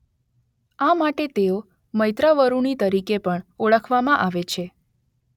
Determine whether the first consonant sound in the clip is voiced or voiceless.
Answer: voiced